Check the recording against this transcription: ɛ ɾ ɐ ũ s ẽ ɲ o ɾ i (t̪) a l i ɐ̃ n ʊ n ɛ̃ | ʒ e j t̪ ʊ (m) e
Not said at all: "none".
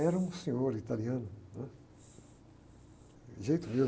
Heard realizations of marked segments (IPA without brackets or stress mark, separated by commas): t̪, m